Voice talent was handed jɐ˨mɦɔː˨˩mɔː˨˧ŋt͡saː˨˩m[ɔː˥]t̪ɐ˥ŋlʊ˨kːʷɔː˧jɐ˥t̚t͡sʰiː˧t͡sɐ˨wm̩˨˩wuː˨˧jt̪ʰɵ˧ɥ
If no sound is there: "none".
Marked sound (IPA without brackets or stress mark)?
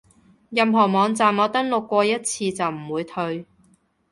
ɔː˨˧